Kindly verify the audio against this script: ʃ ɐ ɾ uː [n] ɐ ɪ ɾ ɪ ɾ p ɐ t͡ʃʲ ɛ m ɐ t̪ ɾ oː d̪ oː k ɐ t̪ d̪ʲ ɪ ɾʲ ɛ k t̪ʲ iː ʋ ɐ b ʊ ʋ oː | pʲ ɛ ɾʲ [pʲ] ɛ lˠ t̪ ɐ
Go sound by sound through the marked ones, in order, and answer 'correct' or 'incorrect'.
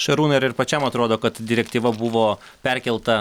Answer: correct, incorrect

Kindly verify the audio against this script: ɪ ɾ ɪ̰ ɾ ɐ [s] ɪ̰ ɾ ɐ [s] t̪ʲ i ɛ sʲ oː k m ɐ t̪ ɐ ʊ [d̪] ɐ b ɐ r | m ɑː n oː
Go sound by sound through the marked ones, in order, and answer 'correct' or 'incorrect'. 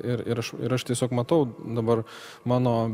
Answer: incorrect, incorrect, correct

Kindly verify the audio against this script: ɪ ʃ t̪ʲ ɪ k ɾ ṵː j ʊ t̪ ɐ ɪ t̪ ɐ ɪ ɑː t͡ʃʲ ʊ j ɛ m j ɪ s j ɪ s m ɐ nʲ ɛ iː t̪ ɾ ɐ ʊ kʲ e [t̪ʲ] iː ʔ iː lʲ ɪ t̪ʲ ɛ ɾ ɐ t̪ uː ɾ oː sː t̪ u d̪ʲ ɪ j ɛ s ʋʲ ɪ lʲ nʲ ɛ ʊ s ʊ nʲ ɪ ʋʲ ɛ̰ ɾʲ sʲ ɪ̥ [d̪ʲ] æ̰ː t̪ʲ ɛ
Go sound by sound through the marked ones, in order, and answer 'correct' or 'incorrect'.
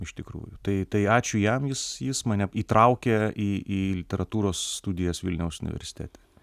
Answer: incorrect, incorrect

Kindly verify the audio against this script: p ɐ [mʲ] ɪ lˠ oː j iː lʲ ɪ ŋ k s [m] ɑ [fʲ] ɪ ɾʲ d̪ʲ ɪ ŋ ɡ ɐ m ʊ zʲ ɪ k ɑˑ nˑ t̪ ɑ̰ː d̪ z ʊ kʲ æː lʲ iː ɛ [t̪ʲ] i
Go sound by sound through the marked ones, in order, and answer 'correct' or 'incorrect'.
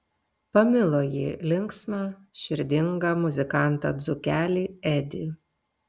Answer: correct, correct, incorrect, incorrect

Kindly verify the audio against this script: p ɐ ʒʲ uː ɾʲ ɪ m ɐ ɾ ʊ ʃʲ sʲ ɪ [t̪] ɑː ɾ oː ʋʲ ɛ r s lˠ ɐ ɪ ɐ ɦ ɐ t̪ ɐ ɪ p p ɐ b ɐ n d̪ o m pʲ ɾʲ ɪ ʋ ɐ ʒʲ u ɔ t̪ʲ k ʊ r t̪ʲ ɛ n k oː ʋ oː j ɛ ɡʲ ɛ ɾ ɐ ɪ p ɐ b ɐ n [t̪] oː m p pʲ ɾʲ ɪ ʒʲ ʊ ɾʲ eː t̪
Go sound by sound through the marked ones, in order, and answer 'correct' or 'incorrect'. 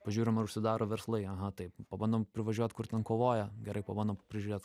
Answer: incorrect, incorrect

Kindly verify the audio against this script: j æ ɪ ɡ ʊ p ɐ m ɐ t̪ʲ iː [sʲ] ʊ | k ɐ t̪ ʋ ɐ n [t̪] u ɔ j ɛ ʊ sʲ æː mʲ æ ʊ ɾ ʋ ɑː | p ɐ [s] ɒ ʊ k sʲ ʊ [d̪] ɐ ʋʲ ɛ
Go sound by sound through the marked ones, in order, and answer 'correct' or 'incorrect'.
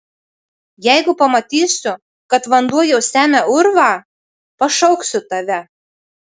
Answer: correct, incorrect, incorrect, incorrect

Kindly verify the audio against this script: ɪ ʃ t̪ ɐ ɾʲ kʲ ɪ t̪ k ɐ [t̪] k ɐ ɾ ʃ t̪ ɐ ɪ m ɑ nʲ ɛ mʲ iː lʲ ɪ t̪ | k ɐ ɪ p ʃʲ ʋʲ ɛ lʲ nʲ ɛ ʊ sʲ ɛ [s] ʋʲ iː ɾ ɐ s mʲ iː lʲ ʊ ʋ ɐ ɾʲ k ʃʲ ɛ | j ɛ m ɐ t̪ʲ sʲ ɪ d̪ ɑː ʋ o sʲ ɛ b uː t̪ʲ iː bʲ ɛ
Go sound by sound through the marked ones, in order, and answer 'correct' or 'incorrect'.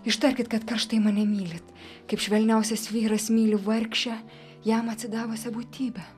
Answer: correct, correct

